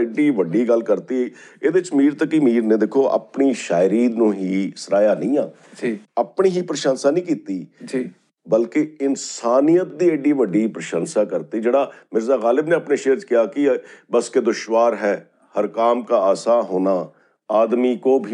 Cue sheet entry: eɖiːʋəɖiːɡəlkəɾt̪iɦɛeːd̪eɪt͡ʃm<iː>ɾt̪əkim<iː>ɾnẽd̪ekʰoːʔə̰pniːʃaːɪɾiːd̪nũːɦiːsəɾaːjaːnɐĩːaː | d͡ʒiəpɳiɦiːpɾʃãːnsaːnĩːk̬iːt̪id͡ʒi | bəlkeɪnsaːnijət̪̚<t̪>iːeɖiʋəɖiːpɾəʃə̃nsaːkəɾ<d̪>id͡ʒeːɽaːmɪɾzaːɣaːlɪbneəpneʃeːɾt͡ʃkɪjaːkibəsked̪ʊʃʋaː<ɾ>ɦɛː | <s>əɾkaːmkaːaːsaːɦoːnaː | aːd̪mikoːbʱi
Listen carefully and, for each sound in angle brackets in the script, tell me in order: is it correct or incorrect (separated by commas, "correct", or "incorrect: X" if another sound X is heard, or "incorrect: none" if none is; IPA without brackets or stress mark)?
correct, correct, incorrect: d̪, incorrect: t̪, correct, incorrect: h